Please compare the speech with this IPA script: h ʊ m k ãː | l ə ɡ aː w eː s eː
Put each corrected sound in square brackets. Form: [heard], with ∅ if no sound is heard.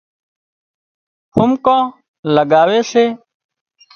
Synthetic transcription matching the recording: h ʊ m k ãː | l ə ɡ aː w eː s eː